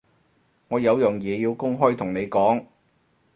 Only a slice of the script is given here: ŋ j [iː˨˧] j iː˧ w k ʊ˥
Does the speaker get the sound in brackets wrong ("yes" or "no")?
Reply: yes